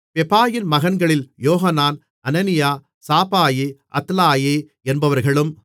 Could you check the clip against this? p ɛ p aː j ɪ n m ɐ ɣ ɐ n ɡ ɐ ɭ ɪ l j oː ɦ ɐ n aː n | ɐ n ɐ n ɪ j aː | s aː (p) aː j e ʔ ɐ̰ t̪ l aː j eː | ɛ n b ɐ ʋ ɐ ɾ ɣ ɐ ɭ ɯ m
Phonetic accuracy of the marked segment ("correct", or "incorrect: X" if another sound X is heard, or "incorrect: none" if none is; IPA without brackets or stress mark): correct